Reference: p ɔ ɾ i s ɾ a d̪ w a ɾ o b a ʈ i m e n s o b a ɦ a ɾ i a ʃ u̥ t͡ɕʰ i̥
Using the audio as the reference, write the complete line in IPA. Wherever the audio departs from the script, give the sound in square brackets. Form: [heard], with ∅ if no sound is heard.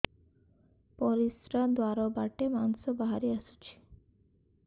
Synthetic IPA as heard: p ɔ ɾ i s ɾ a d̪ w a ɾ o b a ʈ [e] m [a] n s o b a ɦ a ɾ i a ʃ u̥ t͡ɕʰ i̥